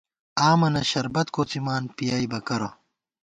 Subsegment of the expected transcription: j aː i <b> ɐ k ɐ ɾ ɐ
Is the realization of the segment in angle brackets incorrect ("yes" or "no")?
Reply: no